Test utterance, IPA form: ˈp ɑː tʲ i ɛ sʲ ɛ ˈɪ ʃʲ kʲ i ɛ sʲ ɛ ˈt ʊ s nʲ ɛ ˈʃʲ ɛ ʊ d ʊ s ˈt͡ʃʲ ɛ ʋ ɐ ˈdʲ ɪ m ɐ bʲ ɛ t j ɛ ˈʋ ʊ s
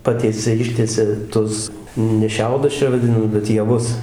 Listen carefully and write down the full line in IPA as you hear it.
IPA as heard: ˈp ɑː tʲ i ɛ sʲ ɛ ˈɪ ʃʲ tʲ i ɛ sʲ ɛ ˈt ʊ s nʲ ɛ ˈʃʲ ɛ ʊ d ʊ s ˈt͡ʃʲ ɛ ʋ ɐ ˈdʲ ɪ n ɐ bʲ ɛ t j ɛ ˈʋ ʊ s